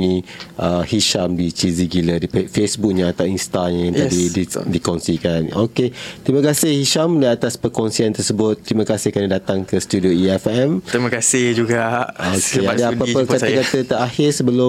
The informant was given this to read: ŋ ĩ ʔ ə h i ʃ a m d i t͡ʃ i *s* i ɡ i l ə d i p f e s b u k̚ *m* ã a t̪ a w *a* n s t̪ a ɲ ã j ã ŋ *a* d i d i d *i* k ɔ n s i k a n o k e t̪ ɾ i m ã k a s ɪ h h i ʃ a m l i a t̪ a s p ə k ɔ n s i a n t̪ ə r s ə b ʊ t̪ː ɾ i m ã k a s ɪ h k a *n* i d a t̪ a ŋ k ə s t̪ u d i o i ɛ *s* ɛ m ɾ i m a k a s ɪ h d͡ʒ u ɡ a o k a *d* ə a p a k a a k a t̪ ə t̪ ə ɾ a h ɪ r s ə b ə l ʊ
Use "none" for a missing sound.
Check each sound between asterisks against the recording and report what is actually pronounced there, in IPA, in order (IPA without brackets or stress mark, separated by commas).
z, ɲ, i, a, i, n, f, d